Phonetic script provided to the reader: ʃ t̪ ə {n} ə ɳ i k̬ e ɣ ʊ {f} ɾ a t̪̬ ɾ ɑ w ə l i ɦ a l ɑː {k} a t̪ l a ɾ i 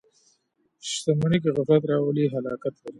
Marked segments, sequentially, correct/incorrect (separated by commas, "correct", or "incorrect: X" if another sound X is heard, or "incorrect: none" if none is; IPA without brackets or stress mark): incorrect: m, correct, correct